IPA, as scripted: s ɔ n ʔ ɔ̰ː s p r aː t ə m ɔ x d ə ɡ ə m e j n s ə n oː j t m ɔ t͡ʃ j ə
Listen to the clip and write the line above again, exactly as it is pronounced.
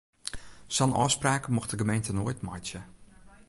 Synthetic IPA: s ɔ n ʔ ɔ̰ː s p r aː k ə m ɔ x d ə ɡ ə m e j n t ə n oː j t m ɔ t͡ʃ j ə